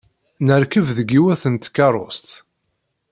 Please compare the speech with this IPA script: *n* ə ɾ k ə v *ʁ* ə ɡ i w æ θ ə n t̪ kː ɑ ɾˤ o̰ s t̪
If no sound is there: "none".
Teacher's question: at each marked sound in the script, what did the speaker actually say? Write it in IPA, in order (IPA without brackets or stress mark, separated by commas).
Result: n, ð